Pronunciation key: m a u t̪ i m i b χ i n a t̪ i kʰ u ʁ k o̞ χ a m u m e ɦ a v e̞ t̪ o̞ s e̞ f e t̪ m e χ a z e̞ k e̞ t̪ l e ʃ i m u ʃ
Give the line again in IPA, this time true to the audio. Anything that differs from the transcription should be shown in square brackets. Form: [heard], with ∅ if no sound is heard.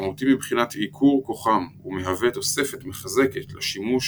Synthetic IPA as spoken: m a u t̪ i m i b χ i n a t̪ i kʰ u ʁ k o̞ χ a m u m e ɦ a v e̞ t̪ o̞ s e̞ f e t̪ m e χ a z e̞ k e̞ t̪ l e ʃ i m u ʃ